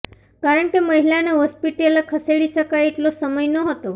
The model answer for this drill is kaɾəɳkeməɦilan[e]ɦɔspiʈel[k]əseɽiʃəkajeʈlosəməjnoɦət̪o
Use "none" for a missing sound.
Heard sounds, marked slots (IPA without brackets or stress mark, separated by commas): e, kʰ